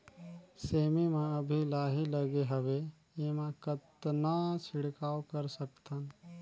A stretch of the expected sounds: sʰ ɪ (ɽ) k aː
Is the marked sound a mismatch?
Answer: no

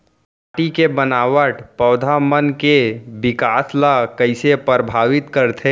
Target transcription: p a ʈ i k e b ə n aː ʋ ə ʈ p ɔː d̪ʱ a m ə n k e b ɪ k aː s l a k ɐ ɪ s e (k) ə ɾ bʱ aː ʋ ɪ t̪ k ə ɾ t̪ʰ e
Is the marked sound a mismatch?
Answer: yes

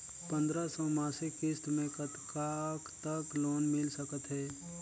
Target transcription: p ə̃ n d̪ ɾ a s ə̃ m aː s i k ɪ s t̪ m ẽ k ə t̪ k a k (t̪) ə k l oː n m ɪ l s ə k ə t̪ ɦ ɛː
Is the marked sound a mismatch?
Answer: no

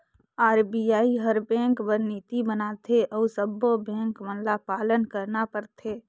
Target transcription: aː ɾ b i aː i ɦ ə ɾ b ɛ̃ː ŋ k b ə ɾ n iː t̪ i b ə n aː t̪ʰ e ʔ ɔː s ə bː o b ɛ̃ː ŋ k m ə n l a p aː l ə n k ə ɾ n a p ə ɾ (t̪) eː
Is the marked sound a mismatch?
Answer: yes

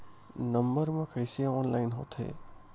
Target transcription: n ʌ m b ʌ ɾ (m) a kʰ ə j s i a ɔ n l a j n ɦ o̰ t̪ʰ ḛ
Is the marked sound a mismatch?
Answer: no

